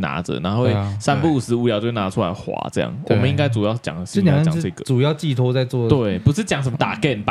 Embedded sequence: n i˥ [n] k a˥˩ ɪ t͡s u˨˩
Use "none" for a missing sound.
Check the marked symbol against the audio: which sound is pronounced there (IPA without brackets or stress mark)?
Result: ŋ